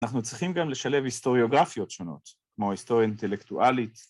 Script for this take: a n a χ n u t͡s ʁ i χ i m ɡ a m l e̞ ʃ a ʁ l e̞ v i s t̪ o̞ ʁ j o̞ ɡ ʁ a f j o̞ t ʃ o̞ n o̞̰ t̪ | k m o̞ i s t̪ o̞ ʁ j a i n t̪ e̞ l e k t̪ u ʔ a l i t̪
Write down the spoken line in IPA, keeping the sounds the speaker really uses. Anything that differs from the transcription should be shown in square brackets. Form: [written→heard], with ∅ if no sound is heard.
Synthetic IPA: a n a χ n u t͡s ʁ i χ i m ɡ a m l e̞ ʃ a [ʁ→∅] l e̞ v i s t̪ o̞ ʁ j o̞ ɡ ʁ a f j o̞ t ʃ o̞ n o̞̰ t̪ | k m o̞ i s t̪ o̞ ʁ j a i n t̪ e̞ l e k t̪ u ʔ a l i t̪